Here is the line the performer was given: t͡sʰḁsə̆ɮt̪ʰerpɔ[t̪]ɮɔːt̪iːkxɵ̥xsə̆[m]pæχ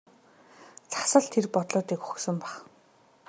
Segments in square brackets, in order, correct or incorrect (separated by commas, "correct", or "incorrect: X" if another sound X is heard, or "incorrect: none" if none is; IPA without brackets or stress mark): correct, correct